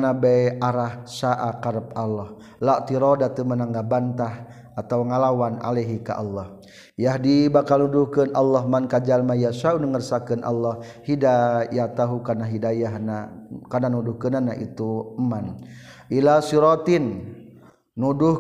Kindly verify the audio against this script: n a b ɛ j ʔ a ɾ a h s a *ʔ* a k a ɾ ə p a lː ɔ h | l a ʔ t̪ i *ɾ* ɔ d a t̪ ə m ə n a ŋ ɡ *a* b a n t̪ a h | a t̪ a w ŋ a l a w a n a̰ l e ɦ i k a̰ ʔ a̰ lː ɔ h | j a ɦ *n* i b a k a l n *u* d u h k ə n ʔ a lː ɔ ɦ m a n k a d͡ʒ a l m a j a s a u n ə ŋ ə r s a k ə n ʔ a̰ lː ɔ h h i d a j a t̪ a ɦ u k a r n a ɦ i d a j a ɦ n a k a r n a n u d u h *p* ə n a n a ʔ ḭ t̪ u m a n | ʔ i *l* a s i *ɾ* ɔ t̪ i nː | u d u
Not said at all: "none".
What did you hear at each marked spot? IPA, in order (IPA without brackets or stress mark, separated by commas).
ʔ, ɾ, a, d, u, k, l, ɾ